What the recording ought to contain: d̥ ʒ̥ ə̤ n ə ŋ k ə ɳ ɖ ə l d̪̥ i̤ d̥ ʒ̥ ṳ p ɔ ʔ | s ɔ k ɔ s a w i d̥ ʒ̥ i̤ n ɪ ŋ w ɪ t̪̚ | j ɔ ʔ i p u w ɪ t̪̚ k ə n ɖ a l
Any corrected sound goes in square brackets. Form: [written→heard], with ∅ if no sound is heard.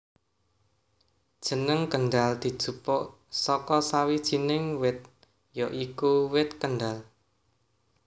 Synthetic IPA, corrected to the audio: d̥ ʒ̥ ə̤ n ə ŋ k ə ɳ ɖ [ə→a] l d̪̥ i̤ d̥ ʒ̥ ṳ p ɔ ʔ | s ɔ k ɔ s a w i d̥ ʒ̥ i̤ n ɪ ŋ w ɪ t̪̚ | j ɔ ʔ i [p→k] u w ɪ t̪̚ k ə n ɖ a l

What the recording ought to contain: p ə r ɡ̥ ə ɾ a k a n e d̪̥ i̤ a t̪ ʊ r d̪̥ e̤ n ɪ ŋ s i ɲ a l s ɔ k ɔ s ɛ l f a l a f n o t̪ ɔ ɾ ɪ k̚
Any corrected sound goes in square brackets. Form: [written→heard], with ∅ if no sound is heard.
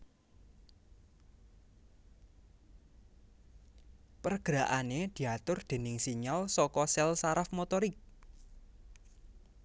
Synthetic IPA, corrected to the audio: p ə r ɡ̥ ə ɾ a [k→ʔ] a n e d̪̥ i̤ a t̪ ʊ r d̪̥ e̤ n ɪ ŋ s i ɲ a l s ɔ k ɔ s ɛ l [f→s] a [l→ɾ] a f [n→m] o t̪ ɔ ɾ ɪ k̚

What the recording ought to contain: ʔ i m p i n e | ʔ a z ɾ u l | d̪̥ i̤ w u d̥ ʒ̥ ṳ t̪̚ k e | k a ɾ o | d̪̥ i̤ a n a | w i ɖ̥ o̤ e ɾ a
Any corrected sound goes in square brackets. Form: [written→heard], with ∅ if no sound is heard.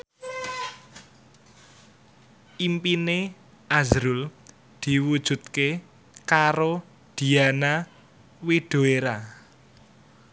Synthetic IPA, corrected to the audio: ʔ i m p i n e | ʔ a z ɾ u l | d̪̥ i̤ w u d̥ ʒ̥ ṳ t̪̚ k e | k a ɾ o | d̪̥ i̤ a n a | w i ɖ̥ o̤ e ɾ a

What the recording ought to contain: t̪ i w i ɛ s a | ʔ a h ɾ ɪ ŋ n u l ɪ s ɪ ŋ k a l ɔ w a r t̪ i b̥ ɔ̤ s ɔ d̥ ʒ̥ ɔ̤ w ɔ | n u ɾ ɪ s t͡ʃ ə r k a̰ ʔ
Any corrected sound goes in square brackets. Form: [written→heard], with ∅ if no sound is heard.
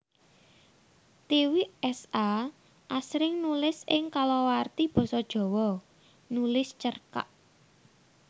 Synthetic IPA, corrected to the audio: t̪ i w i ɛ s a | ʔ a [h→s] ɾ ɪ ŋ n u l ɪ s ɪ ŋ k a l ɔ w a r t̪ i b̥ ɔ̤ s ɔ d̥ ʒ̥ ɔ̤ w ɔ | n u [ɾ→l] ɪ s t͡ʃ ə r k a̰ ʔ

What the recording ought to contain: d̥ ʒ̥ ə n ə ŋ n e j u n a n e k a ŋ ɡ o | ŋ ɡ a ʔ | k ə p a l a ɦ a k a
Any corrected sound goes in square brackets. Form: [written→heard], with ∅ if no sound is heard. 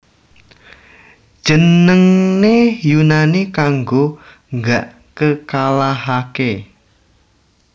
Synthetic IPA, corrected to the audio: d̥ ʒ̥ ə n ə ŋ n e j u n a n [e→i] k a ŋ ɡ o | ŋ ɡ a ʔ | k ə [p→k] a l a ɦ a k [a→e]

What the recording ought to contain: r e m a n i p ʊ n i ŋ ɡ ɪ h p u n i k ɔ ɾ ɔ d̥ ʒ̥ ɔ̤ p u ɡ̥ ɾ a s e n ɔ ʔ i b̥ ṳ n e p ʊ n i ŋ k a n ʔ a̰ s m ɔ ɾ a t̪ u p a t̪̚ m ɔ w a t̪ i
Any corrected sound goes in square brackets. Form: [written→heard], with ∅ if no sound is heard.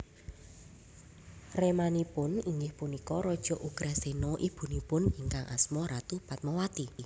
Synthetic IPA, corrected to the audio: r e m a n i p ʊ n i ŋ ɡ ɪ h p u n i k ɔ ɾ ɔ d̥ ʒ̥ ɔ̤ [p→ʔ] u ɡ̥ ɾ a s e n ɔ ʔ i b̥ ṳ n [e→i] p ʊ n i ŋ k a [n→ŋ] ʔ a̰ s m ɔ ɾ a t̪ u p a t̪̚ m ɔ w a t̪ i

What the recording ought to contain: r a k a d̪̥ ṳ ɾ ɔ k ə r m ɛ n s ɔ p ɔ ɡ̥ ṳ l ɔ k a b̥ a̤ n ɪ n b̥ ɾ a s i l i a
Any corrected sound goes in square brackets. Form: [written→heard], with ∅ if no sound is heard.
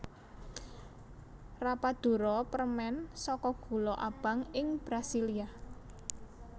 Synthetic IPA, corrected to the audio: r a [k→p] a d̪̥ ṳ ɾ ɔ [k→p] ə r m ɛ n s ɔ [p→k] ɔ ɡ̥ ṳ l ɔ [k→ʔ] a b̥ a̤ [n→ŋ] ɪ [n→ŋ] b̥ ɾ a s i l i a

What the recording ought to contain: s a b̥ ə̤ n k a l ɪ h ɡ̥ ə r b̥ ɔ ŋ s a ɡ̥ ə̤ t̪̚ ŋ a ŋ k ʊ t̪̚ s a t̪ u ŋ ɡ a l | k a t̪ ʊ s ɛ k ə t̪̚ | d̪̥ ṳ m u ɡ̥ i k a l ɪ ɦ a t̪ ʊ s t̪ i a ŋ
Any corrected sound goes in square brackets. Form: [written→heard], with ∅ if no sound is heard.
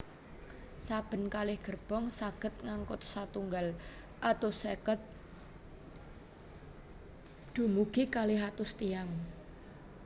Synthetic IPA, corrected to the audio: s a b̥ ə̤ n k a l ɪ h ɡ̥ ə r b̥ ɔ ŋ s a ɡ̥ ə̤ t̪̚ ŋ a ŋ k ʊ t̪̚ s a t̪ u ŋ ɡ a l | [k→ʔ] a t̪ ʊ s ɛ k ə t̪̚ | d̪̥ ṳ m u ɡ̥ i k a l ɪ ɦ a t̪ ʊ s t̪ i a ŋ

